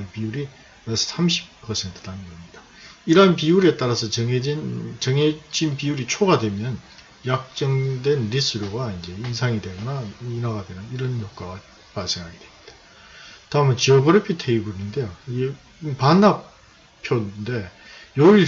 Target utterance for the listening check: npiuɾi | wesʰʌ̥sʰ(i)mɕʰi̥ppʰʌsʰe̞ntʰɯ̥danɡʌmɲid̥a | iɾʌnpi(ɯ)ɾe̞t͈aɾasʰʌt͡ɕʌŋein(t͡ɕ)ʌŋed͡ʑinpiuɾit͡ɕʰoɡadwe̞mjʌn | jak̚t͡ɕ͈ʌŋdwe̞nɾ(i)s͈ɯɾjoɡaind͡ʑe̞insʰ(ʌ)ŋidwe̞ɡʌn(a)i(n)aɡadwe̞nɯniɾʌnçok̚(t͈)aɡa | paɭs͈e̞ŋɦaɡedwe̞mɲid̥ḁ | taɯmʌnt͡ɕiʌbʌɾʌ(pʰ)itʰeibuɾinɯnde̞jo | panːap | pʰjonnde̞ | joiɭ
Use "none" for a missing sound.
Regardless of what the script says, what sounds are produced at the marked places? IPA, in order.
a, u, t͡ɕ, i, a, a, n, k͈, pʰ

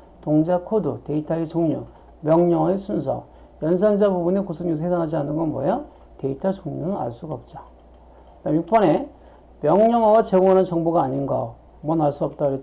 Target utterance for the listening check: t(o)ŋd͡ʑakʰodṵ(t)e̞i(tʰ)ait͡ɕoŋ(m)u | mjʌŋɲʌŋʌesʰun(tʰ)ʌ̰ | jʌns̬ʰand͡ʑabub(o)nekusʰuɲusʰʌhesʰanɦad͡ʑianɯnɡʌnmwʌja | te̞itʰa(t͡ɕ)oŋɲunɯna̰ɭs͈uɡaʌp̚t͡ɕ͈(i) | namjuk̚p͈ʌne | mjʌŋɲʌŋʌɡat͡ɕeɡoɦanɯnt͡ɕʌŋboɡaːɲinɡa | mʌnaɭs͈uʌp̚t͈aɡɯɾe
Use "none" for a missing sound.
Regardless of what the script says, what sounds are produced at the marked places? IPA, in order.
o, t, tʰ, ɲ, sʰ, u, t͡ɕ, a

